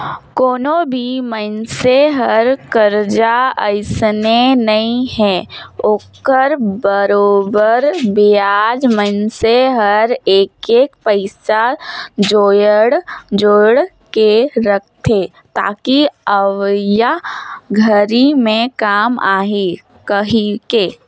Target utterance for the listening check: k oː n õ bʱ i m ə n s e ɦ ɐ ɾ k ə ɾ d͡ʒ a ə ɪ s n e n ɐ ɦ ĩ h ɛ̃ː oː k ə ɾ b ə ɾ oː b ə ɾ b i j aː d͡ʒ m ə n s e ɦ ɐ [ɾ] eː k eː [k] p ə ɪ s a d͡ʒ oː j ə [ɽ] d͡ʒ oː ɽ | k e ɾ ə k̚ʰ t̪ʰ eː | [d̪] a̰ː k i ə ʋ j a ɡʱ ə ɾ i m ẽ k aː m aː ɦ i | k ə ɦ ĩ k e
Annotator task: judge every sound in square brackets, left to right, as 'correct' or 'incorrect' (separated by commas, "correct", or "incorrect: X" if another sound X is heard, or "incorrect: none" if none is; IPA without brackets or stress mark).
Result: correct, correct, correct, incorrect: t̪